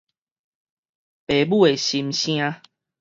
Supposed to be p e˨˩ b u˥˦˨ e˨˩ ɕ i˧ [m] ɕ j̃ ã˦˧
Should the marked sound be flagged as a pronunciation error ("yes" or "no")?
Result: no